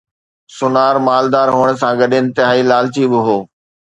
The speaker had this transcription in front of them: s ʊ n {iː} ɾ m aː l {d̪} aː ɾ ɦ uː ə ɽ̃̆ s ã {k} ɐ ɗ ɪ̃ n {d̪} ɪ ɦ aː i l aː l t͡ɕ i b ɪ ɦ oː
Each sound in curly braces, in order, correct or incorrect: incorrect: aː, correct, incorrect: ɡ, incorrect: t̪

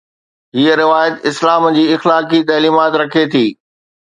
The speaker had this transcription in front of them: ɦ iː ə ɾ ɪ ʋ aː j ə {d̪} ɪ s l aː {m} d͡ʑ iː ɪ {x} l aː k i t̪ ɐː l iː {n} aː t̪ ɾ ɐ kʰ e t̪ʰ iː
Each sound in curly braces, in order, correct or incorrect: incorrect: t̪, correct, correct, incorrect: m

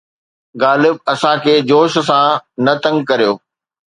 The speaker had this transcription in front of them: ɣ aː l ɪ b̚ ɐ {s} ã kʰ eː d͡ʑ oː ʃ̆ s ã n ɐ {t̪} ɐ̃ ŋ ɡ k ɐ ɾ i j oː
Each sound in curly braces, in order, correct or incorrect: correct, correct

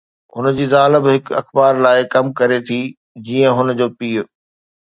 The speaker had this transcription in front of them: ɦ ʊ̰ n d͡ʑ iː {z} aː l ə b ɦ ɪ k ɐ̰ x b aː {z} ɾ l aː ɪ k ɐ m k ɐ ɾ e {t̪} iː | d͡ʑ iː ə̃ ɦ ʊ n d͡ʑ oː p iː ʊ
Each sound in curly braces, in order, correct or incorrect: correct, incorrect: none, incorrect: t̪ʰ

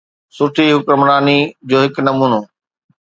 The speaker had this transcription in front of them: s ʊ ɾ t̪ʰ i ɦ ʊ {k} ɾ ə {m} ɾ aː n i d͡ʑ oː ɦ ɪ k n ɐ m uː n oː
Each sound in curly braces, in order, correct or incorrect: correct, correct

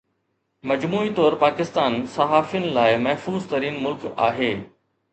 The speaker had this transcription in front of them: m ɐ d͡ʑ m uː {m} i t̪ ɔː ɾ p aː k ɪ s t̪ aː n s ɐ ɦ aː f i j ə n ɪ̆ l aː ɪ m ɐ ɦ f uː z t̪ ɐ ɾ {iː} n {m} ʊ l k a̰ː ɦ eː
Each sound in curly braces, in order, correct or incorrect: incorrect: none, correct, correct

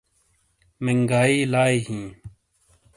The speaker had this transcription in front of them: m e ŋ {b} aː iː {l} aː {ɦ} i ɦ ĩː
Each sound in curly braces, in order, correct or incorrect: incorrect: ɡ, correct, incorrect: none

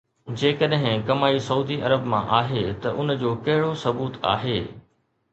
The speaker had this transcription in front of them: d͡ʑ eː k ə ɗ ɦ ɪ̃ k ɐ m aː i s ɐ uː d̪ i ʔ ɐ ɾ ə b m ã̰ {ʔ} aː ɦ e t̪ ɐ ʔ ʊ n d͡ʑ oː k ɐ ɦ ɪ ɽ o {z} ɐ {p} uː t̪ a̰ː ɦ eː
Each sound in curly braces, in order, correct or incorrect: correct, incorrect: s, incorrect: b

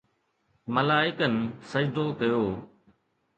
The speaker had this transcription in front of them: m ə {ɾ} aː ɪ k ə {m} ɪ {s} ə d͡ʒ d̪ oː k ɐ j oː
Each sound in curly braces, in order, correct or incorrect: incorrect: l, incorrect: n, correct

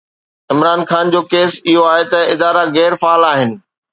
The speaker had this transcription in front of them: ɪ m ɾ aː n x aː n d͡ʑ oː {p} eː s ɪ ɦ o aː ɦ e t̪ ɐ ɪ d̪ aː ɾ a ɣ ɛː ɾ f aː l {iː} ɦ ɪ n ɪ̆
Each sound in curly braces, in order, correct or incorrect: incorrect: k, incorrect: aː

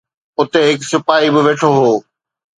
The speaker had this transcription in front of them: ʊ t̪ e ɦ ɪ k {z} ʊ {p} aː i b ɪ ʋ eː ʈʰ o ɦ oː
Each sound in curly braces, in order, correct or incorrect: incorrect: s, correct

